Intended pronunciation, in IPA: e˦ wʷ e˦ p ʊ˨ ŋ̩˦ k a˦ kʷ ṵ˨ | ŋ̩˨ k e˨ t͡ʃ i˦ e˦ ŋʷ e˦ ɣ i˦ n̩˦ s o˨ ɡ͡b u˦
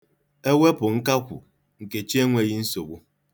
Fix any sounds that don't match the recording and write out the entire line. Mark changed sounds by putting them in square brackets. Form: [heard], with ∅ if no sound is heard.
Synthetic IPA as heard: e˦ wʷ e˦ p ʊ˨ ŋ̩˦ k a˦ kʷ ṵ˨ | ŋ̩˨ k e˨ t͡ʃ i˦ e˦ ŋʷ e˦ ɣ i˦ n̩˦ s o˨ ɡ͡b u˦

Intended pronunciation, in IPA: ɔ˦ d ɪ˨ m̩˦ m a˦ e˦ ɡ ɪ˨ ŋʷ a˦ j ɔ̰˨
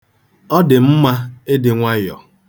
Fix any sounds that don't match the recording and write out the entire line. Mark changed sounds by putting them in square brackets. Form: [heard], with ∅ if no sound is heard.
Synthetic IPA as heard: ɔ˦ d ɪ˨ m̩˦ m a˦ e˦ [d] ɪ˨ ŋʷ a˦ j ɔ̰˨

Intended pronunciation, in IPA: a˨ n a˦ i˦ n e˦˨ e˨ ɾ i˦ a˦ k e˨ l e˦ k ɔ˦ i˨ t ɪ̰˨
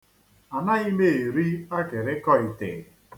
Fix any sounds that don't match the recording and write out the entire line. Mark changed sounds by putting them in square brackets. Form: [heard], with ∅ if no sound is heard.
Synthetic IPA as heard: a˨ n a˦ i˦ [m] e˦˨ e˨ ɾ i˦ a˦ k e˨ [ɾ] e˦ k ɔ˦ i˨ t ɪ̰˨

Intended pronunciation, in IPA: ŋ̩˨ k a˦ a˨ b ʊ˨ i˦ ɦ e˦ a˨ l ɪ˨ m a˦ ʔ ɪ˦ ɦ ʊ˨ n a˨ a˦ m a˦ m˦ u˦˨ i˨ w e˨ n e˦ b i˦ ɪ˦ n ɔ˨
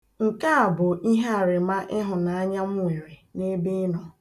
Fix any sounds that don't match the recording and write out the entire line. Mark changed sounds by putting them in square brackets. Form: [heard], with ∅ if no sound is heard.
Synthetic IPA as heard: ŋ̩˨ k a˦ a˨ b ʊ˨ i˦ ɦ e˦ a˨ [ɾ] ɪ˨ m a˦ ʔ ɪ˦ ɦ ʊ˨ n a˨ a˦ [ɲ] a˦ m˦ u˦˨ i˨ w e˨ n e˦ b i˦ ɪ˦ n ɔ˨

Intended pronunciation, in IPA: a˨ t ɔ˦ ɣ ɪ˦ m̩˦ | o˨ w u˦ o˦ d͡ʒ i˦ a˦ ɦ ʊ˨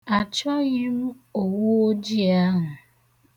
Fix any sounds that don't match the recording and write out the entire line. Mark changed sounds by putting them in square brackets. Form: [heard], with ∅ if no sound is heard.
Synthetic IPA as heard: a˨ [t͡ʃ] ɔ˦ ɣ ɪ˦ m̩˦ | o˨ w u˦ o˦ d͡ʒ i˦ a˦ ɦ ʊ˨

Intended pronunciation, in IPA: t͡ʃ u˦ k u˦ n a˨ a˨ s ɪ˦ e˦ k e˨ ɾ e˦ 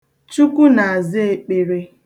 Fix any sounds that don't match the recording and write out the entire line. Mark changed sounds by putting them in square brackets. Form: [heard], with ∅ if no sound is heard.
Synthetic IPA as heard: t͡ʃ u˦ k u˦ n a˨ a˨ [z] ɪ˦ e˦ [k͡p] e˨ ɾ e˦

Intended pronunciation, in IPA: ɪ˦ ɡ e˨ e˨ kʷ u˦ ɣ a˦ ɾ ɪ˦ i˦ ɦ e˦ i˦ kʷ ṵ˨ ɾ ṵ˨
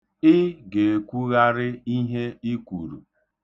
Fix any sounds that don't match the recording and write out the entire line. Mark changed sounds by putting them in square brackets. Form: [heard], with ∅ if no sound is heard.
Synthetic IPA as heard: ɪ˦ ɡ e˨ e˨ kʷ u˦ ɣ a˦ ɾ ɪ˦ i˦ ɦ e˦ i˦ kʷ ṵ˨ ɾ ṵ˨

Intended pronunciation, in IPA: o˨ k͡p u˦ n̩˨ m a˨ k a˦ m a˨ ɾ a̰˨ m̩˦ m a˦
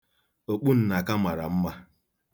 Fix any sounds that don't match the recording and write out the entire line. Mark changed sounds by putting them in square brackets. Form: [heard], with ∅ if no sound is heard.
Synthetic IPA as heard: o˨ k͡p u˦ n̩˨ [n] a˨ k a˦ m a˨ ɾ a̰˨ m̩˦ m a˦

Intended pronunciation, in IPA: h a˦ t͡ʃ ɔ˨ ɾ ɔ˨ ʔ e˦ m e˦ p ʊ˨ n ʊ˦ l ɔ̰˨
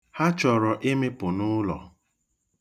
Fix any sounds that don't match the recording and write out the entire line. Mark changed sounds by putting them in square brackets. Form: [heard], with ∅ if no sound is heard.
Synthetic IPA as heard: h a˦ t͡ʃ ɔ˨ ɾ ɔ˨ ʔ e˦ m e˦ p ʊ˨ n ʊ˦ l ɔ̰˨

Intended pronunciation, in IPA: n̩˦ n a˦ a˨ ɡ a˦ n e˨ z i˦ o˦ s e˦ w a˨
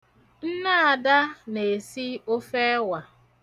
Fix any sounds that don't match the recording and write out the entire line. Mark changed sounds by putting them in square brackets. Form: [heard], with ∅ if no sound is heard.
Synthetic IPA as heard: n̩˦ n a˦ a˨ [d] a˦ n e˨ [s] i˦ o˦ [f] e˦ w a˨

